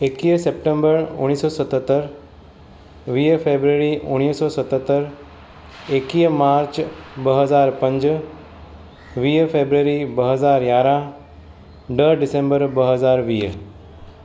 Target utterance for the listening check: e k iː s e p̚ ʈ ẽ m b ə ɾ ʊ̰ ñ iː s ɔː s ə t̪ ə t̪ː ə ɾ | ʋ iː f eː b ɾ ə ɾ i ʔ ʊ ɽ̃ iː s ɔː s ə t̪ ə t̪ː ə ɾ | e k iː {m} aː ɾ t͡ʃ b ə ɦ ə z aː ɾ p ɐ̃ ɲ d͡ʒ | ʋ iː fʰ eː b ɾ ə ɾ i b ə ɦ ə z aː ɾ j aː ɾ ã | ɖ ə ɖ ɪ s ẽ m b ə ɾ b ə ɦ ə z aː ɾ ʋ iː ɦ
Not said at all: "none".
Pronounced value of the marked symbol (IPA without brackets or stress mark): m